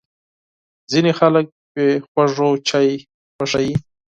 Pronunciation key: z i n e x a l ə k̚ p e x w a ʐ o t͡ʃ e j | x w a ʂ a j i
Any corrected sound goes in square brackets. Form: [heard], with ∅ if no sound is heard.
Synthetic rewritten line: z i n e x a l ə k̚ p e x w a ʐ o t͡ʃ [a] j | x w a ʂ a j i